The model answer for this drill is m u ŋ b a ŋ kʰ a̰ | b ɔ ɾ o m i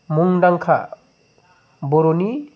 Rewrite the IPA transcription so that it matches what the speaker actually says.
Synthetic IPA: m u ŋ d a ŋ kʰ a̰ | b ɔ ɾ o n i